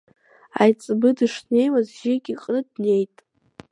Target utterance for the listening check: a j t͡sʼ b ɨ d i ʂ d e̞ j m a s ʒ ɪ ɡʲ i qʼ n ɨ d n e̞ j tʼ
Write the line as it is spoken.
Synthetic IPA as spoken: a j t͡sʼ b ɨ d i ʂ n e̞ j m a z ʒ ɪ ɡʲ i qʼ n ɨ d n e̞ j tʼ